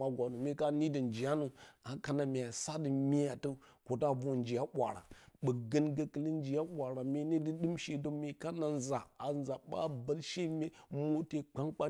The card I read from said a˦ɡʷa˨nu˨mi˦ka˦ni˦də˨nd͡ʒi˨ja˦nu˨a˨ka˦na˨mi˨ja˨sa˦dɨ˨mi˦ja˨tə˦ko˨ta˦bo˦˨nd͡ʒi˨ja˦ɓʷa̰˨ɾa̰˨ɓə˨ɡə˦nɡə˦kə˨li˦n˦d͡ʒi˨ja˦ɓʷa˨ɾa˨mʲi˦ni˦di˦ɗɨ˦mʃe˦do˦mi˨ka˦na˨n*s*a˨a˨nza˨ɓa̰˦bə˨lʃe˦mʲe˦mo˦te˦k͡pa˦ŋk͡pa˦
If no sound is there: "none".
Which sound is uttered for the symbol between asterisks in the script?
z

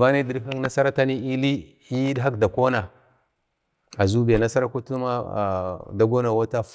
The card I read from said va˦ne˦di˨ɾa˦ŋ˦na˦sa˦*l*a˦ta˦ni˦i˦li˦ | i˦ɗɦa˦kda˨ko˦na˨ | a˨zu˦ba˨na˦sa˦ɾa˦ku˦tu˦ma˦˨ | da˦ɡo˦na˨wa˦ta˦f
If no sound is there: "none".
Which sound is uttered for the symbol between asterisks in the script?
ɾ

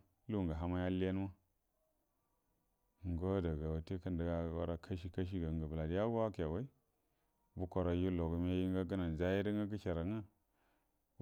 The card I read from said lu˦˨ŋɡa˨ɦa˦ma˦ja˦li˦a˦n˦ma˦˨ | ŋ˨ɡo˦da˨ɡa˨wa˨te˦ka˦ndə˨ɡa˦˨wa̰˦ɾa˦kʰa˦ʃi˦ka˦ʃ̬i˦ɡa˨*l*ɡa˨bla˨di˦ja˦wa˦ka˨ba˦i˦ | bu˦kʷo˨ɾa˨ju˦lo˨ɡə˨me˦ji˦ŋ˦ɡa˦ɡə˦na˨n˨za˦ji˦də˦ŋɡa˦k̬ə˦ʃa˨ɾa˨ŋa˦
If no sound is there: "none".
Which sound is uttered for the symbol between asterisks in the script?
none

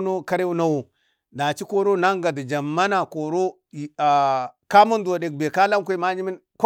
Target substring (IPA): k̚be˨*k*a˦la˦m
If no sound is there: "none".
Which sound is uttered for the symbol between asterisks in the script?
k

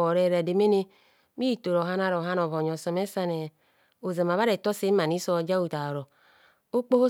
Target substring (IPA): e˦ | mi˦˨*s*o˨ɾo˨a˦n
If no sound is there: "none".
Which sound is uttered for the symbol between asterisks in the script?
t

